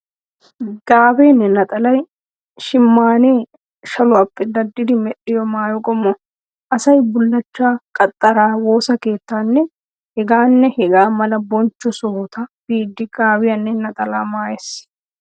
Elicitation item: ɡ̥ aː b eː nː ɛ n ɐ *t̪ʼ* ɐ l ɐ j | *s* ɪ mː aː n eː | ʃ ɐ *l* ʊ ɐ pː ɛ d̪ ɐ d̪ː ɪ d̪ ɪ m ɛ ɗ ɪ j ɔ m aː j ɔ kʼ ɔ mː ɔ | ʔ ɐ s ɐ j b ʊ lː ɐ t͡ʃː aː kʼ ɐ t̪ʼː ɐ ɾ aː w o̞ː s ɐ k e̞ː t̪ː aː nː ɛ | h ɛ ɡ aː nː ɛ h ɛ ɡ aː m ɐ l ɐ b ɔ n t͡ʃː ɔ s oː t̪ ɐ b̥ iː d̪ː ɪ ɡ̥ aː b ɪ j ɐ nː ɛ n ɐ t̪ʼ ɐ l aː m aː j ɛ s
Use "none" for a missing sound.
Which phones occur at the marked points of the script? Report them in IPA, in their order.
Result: t̪ʼ, ʃ, l

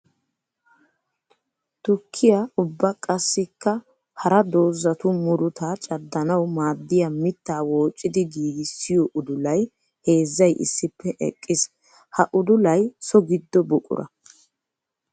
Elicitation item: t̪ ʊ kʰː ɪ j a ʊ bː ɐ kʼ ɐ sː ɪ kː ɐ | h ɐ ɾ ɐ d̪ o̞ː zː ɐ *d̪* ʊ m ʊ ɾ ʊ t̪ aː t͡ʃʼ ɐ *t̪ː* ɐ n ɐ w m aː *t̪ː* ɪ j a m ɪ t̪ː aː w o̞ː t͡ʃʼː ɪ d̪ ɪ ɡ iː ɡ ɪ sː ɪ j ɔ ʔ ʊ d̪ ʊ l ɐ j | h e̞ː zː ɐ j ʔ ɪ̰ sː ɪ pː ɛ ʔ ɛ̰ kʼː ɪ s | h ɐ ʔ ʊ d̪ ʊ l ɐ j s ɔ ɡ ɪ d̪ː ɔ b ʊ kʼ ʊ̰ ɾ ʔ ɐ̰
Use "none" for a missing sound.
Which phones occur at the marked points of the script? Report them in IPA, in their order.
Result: t̪, d̪ː, d̪ː

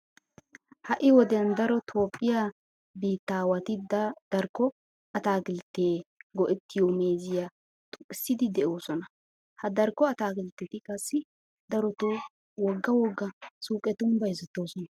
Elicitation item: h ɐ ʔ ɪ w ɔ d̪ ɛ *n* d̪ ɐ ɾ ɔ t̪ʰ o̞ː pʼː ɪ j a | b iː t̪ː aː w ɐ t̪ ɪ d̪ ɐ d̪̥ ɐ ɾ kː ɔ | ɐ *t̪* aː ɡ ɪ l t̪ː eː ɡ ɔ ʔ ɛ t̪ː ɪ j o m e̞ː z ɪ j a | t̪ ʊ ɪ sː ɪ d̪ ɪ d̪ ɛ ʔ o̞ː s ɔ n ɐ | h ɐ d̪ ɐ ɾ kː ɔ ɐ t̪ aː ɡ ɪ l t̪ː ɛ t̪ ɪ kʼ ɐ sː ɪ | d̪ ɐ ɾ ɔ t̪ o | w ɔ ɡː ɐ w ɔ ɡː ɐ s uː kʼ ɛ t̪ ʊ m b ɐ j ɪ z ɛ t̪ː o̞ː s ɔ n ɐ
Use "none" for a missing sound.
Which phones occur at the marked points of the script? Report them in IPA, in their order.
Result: n, t̪

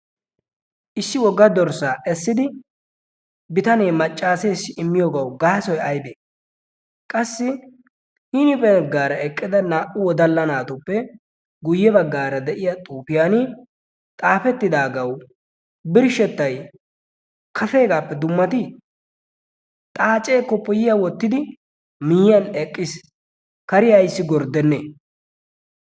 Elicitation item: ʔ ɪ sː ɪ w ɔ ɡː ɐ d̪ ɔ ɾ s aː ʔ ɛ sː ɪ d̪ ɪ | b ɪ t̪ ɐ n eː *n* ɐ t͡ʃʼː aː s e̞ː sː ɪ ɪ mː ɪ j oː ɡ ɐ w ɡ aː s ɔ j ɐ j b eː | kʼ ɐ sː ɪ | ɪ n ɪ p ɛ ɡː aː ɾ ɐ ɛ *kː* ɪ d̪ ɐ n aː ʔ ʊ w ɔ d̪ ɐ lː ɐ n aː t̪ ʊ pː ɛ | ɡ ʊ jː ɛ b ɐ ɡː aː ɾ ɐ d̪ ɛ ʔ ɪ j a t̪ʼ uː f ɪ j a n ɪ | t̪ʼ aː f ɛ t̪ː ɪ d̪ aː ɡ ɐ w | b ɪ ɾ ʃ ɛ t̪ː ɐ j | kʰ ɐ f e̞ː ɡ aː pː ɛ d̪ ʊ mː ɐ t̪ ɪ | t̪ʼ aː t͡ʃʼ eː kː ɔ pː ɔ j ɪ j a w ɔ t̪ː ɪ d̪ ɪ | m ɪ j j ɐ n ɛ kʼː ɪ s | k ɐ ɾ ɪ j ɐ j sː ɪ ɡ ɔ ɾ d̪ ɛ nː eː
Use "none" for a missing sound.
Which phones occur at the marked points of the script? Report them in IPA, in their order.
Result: m, kʼː

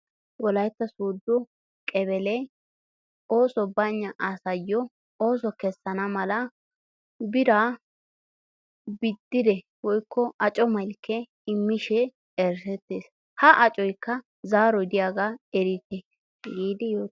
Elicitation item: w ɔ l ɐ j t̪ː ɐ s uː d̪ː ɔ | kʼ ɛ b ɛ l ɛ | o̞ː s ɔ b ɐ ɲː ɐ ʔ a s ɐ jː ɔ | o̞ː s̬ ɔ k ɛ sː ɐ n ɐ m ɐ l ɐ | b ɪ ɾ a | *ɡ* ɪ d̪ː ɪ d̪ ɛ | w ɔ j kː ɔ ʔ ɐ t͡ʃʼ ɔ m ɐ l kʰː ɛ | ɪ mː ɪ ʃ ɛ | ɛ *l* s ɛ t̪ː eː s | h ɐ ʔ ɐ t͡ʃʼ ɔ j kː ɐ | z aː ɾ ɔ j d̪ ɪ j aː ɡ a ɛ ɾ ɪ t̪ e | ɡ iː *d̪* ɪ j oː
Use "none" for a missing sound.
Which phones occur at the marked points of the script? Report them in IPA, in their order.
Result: b, ɾ, d̪

